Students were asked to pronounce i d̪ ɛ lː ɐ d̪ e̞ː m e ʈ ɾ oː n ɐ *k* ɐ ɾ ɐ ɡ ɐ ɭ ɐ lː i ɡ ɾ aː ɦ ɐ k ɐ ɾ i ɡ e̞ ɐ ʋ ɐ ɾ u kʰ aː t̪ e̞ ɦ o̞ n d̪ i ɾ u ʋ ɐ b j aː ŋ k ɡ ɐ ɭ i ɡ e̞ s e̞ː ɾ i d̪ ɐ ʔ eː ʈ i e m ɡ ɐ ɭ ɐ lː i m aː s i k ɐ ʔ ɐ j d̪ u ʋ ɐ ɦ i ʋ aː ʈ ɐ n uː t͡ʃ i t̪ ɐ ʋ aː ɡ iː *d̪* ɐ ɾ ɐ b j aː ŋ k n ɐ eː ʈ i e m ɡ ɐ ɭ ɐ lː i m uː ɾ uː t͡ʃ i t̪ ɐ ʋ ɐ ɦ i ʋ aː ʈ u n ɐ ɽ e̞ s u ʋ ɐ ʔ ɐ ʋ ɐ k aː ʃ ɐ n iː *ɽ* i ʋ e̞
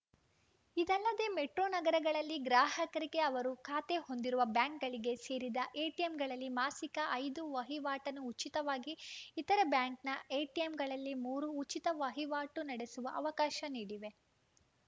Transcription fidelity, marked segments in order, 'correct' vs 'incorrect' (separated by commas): incorrect, incorrect, correct